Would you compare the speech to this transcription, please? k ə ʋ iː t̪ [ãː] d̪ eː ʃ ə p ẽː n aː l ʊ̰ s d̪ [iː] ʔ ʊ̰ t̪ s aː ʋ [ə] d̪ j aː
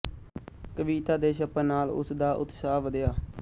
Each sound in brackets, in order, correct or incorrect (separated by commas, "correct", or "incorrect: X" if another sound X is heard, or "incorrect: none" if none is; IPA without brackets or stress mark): incorrect: aː, incorrect: aː, correct